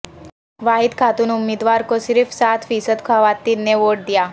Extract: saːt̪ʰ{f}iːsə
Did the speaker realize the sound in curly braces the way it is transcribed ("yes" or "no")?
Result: yes